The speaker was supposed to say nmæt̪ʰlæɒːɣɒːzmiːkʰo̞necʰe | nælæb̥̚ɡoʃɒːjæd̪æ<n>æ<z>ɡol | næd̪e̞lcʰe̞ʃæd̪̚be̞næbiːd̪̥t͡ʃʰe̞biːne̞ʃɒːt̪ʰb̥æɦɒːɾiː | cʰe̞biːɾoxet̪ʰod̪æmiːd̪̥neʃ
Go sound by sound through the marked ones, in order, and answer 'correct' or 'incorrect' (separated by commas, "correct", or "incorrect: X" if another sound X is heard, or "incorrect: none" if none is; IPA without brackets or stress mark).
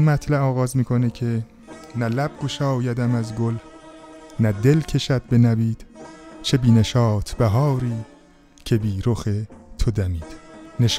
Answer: incorrect: m, correct